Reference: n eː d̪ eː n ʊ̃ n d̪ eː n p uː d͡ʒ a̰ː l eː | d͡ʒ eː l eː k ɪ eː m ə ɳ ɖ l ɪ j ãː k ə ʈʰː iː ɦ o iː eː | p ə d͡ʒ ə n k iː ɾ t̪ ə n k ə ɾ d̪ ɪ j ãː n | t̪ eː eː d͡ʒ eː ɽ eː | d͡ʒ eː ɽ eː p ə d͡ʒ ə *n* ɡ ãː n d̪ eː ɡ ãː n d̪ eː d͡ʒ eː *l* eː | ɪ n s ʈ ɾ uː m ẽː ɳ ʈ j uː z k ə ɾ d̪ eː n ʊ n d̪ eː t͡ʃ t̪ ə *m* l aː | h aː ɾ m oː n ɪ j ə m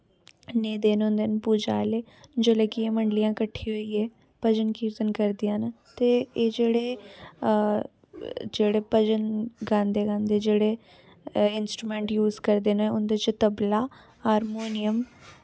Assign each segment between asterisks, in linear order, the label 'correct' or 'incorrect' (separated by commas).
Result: correct, incorrect, incorrect